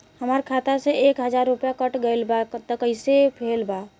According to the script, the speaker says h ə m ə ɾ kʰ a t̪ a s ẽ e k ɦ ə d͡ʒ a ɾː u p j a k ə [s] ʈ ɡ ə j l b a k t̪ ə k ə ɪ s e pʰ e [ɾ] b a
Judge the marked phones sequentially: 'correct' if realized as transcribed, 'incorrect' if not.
incorrect, incorrect

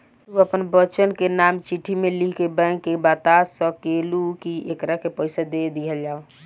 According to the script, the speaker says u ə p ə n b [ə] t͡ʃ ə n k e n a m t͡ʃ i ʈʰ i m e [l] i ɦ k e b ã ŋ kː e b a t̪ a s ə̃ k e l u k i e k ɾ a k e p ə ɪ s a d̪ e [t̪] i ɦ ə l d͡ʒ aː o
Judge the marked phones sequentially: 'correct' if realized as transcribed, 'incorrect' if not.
correct, correct, incorrect

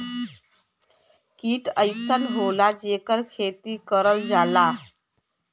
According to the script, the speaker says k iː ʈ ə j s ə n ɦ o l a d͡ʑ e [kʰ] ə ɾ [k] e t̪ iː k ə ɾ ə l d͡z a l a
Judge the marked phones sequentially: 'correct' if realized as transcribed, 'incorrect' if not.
incorrect, incorrect

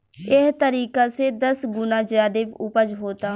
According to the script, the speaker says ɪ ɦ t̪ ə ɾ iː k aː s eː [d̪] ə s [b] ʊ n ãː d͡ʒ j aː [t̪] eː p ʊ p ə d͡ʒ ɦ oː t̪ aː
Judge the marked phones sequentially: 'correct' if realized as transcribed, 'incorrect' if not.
correct, incorrect, incorrect

